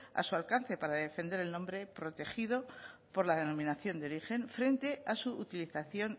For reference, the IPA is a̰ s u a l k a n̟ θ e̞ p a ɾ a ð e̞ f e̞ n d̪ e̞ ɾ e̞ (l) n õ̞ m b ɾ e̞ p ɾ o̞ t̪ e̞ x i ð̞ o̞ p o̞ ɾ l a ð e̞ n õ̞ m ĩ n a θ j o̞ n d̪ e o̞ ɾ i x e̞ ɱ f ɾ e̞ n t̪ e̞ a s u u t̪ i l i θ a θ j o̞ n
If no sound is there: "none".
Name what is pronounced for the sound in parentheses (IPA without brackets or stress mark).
l